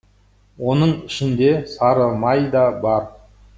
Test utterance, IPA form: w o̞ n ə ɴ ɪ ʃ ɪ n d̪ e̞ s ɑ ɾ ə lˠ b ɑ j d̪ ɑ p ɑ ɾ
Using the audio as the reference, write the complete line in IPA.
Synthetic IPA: w o̞ n ə ɴ ɪ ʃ ɪ n d̪ e̞ s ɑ ɾ ə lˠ m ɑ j d̪ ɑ b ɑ ɾ